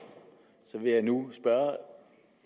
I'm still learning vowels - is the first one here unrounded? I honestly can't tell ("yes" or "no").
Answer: no